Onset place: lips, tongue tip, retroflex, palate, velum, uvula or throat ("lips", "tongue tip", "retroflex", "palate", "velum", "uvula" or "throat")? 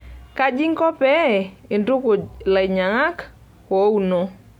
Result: velum